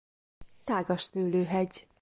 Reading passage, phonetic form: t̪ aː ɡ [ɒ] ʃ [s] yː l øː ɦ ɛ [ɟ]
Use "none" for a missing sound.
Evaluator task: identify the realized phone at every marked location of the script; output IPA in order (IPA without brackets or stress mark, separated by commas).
ɒ, s, ɟ